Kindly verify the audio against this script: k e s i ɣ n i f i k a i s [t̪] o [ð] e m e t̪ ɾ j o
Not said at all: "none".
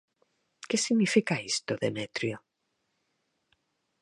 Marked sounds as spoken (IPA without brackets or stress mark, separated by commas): t̪, ð